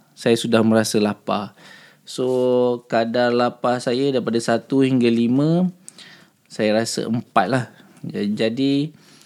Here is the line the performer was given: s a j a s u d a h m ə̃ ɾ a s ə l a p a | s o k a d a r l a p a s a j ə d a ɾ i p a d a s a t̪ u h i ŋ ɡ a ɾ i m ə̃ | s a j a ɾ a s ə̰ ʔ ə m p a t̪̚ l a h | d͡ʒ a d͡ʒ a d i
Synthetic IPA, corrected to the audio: s a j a s u d a h m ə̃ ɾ a s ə l a p a | s o k a d a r l a p a s a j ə d a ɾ i p a d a s a t̪ u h i ŋ ɡ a l i m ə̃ | s a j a ɾ a s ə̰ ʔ ə m p a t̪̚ l a h | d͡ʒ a d͡ʒ a d i